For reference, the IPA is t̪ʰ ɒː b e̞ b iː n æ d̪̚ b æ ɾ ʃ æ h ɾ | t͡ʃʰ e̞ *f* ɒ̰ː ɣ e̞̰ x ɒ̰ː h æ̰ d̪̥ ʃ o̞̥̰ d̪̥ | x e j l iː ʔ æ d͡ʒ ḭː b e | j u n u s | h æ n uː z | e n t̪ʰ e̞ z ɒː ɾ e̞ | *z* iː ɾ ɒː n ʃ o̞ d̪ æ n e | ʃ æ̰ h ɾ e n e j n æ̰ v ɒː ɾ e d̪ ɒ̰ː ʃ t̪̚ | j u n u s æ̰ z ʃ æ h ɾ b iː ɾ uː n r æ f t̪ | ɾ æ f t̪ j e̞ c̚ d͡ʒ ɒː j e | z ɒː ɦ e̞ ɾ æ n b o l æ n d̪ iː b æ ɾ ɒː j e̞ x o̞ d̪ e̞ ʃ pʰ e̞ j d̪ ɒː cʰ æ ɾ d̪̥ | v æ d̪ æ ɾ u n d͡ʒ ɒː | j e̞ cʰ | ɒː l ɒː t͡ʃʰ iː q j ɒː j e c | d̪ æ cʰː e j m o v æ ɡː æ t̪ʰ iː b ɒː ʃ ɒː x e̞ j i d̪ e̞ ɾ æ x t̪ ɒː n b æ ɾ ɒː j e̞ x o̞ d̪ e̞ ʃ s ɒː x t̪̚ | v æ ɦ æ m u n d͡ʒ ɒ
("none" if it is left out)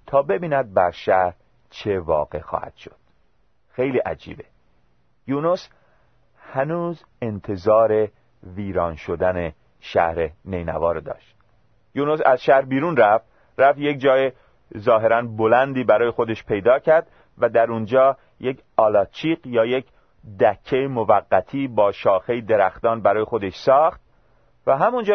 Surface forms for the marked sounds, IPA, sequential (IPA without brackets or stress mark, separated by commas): v, v